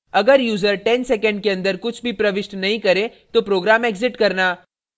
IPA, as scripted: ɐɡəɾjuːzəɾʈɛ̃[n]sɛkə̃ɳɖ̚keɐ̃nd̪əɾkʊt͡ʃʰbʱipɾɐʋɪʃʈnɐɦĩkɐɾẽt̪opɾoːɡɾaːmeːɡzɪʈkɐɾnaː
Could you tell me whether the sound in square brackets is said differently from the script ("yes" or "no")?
no